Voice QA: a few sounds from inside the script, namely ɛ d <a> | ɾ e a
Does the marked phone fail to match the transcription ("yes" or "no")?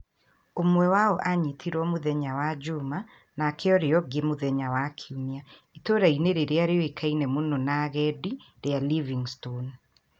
yes